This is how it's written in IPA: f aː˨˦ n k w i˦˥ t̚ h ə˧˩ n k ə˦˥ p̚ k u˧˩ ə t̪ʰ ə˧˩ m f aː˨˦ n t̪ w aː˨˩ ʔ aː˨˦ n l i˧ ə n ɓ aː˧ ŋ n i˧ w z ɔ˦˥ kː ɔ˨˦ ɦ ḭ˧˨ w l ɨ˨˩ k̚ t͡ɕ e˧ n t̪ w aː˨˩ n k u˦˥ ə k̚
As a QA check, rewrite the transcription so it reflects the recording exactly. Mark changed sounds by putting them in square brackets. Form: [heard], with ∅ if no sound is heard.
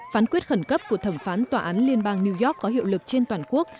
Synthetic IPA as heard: f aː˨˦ n k w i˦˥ t̚ [x] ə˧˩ n k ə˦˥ p̚ k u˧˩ ə t̪ʰ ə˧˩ m f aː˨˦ n t̪ w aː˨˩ ʔ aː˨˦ n l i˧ ə n ɓ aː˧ ŋ n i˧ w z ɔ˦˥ kː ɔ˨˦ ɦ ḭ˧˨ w l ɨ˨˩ k̚ t͡ɕ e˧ n t̪ w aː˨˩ n k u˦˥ ə k̚